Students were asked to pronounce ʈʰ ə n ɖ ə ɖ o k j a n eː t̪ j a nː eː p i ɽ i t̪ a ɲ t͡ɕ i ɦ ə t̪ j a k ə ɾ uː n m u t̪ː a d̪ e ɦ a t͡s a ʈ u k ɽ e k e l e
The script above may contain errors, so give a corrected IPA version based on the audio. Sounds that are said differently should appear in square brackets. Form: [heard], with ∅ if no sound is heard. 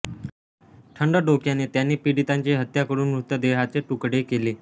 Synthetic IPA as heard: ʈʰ ə [ɳ] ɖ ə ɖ o k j a n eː t̪ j a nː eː p i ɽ i t̪ a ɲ t͡ɕ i ɦ ə t̪ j a k ə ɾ uː n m u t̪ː [ə] d̪ e ɦ a t͡s [e] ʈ u k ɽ e k e l e